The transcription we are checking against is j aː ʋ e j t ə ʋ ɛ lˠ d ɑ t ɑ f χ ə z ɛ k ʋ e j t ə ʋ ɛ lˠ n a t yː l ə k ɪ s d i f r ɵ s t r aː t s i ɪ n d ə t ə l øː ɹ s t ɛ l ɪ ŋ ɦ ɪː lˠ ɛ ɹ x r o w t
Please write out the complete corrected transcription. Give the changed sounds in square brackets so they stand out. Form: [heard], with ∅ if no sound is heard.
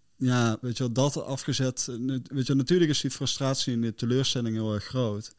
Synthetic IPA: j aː ʋ e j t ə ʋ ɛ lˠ d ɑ t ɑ f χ ə z ɛ [t] ʋ e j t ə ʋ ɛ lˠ n a t yː l ə k ɪ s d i f r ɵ s t r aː t s i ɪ n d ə t ə l øː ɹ s t ɛ l ɪ ŋ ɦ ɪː lˠ ɛ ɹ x r o w t